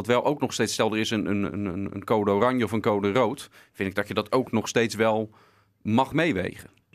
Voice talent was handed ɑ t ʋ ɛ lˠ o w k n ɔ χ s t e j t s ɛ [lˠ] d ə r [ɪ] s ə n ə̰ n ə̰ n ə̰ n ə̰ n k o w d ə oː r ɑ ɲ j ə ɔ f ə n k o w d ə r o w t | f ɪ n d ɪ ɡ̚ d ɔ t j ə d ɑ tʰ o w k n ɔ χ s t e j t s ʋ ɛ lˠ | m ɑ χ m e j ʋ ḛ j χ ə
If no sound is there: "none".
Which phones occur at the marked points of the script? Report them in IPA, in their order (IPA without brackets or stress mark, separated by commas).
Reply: lˠ, ɪ